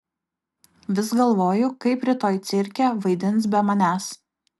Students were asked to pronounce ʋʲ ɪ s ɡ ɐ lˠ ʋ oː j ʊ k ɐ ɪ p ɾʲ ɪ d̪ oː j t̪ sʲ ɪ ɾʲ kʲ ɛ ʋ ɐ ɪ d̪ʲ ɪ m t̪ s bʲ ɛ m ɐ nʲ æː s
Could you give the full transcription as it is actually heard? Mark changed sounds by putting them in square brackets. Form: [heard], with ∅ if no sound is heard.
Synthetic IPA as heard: ʋʲ ɪ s ɡ ɐ lˠ ʋ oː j ʊ k ɐ ɪ p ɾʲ ɪ [t̪] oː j t̪ sʲ ɪ ɾʲ kʲ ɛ ʋ ɐ ɪ d̪ʲ ɪ [n] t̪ s bʲ ɛ m ɐ nʲ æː s